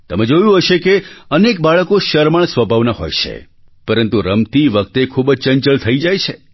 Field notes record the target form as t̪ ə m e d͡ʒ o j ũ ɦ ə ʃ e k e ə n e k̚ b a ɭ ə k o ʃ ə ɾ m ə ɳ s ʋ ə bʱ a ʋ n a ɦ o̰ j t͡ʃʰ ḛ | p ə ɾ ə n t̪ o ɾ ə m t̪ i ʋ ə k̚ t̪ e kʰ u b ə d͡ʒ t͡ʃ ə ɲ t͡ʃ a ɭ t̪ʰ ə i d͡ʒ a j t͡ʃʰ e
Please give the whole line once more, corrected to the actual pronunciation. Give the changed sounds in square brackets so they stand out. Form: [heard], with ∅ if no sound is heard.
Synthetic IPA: t̪ ə m e d͡ʒ o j ũ ɦ ə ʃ e k e ə n e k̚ b a ɭ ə k o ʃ ə ɾ m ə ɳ s ʋ ə bʱ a ʋ n a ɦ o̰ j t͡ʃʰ ḛ | p ə ɾ ə n t̪ [u] ɾ ə m t̪ i ʋ ə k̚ t̪ e kʰ u b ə d͡ʒ t͡ʃ ə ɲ t͡ʃ [ə] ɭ t̪ʰ ə i d͡ʒ a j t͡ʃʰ e